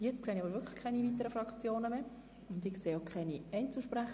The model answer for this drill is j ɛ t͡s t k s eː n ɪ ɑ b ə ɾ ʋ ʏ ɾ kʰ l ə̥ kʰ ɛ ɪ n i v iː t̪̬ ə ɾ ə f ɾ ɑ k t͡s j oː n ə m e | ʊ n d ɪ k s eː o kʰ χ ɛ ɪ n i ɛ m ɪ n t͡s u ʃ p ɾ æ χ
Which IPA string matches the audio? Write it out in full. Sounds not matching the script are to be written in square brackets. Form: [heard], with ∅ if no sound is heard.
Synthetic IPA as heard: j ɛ t͡s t k s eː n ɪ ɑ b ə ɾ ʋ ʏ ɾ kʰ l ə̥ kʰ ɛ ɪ n i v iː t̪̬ ə ɾ ə f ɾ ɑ k t͡s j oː n ə m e | ʊ n d ɪ k s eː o kʰ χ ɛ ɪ n i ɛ [∅] ɪ n t͡s u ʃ p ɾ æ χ